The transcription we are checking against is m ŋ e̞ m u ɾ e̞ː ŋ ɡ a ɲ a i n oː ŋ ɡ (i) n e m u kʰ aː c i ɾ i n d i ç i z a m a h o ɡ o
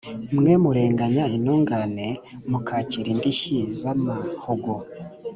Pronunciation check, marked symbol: incorrect: a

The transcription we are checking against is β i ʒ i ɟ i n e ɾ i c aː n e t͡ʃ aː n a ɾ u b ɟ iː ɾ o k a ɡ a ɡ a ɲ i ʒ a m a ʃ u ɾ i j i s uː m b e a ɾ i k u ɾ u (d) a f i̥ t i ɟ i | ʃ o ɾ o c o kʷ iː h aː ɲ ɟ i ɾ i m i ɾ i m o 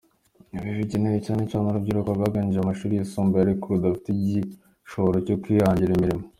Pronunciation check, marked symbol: correct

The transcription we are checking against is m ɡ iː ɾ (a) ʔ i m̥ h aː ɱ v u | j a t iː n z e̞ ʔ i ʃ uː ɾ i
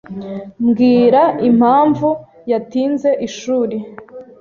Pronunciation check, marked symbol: correct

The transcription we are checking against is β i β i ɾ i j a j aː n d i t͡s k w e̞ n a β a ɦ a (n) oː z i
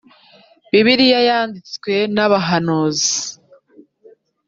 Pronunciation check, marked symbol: correct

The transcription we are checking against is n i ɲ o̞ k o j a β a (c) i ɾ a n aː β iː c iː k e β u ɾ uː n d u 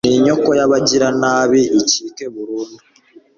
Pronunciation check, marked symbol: incorrect: ɟ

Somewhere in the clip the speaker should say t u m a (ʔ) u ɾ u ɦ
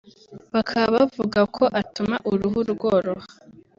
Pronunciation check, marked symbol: correct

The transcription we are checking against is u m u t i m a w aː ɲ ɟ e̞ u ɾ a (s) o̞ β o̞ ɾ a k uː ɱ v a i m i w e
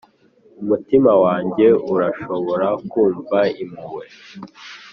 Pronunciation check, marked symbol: incorrect: ʃ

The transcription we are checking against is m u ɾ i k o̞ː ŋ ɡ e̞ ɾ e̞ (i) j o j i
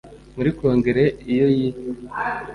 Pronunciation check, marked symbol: correct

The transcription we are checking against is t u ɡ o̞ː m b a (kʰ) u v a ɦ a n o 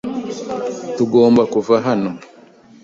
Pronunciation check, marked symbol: incorrect: k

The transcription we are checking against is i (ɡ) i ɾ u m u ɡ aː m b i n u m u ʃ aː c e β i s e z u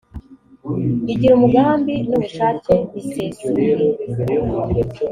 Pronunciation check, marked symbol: incorrect: ɟ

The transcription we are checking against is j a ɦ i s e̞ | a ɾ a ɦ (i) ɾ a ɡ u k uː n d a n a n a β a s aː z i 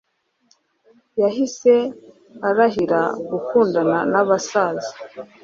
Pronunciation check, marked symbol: correct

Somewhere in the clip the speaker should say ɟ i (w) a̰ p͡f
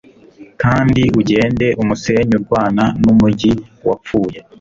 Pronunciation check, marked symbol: correct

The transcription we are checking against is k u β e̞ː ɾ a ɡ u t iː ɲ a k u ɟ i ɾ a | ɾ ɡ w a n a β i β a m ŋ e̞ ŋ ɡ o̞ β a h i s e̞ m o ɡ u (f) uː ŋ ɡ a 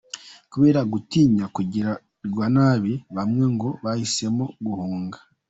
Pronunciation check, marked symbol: incorrect: h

